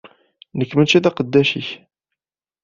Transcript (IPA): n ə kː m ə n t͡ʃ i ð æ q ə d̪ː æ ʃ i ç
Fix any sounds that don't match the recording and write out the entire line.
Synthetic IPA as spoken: n ə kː m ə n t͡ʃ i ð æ q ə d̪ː æ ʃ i ç